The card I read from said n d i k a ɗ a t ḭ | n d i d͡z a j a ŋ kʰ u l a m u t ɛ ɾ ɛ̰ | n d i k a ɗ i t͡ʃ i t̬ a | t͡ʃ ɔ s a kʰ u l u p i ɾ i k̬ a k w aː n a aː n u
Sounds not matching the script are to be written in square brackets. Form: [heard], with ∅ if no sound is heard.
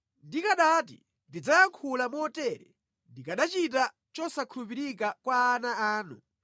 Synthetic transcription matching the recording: n d i k a ɗ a t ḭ | n d i d͡z a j a ŋ kʰ u l a m [ɔ] t ɛ ɾ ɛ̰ | n d i k a ɗ [a] t͡ʃ i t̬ a | t͡ʃ ɔ s a kʰ u l u p i ɾ i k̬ a k w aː n a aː n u